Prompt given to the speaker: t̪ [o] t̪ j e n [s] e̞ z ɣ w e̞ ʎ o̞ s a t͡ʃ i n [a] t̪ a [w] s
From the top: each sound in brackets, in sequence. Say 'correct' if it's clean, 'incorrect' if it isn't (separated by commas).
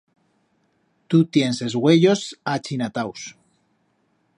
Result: incorrect, correct, correct, correct